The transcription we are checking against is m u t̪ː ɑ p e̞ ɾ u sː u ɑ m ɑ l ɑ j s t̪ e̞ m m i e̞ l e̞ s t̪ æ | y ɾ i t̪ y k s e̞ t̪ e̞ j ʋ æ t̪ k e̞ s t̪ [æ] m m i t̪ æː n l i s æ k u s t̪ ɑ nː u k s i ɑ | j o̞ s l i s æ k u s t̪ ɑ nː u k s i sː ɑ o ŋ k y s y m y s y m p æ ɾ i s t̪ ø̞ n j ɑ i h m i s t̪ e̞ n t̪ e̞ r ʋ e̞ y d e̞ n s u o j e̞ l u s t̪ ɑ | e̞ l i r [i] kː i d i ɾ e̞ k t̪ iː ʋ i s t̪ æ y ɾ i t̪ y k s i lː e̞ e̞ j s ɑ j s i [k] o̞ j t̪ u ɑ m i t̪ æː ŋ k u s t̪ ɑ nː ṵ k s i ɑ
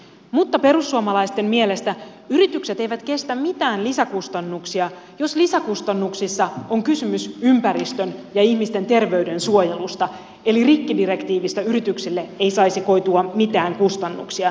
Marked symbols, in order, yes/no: yes, yes, yes

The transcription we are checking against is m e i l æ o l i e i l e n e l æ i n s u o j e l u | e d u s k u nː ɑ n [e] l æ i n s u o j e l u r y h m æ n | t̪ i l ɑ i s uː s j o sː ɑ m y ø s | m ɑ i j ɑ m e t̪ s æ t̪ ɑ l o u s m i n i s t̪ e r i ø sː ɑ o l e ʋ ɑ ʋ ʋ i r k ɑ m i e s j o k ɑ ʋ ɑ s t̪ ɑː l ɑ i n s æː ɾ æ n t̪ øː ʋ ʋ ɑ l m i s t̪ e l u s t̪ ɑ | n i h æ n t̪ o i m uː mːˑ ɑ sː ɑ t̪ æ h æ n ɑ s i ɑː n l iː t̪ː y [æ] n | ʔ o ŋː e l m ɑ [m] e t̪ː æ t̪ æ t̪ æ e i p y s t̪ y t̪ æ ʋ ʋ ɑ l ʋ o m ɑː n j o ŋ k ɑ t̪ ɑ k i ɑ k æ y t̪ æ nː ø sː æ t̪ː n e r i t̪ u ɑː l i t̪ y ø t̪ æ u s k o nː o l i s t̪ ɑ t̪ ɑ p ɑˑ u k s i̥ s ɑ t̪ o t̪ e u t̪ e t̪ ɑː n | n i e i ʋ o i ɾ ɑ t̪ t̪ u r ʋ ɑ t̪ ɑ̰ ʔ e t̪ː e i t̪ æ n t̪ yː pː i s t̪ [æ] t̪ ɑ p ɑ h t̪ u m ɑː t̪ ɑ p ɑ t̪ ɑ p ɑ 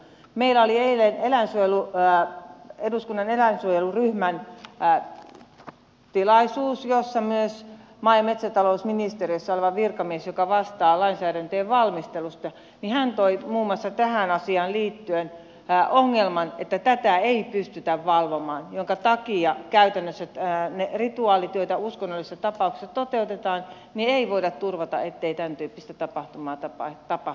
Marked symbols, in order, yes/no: yes, no, no, yes

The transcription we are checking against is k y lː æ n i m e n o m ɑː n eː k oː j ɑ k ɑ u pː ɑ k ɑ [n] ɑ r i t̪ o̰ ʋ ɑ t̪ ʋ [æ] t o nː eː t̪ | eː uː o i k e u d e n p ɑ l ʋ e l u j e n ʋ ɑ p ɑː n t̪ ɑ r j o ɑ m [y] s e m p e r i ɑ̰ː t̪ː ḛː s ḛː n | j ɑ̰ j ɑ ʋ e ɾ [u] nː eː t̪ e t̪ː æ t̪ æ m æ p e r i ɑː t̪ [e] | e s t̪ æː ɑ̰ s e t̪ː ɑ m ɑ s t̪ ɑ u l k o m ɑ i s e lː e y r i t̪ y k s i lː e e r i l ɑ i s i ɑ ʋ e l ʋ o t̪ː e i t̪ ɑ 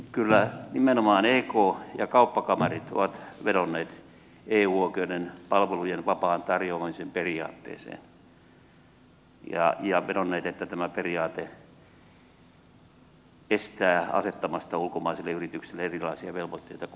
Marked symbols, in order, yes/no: no, no, no, no, yes

